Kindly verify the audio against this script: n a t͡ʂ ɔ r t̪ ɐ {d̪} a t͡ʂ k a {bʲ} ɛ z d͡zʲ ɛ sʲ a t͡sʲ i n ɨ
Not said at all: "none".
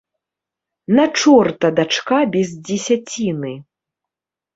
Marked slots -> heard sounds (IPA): d̪, bʲ

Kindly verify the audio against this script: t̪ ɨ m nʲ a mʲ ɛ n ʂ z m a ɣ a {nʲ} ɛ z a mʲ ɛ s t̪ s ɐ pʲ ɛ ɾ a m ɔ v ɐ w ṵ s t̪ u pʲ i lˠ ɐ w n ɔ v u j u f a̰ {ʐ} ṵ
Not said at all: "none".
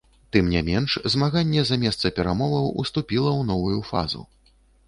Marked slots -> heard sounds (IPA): nʲː, z

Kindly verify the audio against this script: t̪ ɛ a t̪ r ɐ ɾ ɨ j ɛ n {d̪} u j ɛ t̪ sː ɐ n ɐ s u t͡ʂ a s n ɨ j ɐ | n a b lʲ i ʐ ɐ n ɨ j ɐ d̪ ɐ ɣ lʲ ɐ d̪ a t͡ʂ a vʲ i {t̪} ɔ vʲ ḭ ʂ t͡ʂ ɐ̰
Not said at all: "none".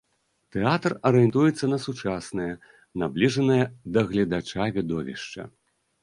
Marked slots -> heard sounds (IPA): t̪, d̪

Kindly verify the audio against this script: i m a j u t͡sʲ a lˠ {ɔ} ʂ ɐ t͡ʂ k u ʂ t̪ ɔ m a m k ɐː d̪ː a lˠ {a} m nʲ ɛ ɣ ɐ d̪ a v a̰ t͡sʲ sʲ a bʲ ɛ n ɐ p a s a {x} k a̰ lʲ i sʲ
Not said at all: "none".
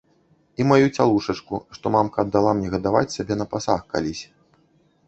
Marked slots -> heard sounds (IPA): u, a, x

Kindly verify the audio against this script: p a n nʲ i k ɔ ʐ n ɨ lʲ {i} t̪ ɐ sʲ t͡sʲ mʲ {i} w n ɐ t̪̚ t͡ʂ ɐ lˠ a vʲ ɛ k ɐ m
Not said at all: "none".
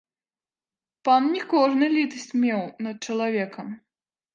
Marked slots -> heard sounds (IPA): i, ɛ

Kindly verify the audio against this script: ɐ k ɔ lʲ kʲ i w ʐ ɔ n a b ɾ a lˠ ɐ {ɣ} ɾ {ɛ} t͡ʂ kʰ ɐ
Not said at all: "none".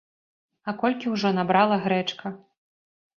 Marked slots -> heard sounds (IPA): ɣ, ɛ

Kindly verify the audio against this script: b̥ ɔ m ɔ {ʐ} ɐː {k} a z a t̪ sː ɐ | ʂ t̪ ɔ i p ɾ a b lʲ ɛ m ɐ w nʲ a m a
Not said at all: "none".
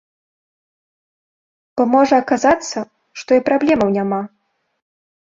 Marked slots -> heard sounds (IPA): ʐ, k

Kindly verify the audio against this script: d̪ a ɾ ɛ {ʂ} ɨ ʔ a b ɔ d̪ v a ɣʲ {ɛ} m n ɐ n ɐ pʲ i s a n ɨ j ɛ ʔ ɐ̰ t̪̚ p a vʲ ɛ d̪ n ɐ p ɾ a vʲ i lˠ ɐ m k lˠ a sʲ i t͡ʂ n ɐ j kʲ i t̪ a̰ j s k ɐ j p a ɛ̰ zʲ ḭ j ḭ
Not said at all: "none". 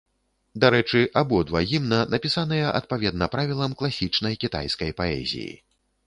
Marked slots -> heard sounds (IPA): t͡ʂ, i

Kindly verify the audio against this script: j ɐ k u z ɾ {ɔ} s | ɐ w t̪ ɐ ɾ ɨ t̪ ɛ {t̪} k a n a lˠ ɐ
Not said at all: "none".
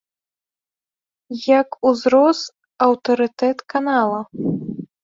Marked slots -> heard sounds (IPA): ɔ, t̪

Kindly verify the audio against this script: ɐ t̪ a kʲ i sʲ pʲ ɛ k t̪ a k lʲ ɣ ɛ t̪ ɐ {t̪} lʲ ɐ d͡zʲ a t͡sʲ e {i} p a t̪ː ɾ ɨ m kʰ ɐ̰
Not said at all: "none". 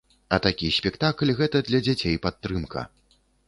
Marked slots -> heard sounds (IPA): d̪, j

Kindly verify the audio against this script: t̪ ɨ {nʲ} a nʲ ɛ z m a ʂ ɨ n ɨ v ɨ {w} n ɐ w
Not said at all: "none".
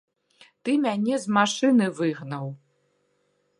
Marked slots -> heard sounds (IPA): mʲ, ɣ

